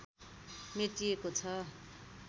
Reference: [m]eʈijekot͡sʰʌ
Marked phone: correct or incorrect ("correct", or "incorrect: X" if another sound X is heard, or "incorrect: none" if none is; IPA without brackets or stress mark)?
correct